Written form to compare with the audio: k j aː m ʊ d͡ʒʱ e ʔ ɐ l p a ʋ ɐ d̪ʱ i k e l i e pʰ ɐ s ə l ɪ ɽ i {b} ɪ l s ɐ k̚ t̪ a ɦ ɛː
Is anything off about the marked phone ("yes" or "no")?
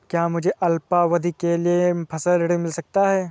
yes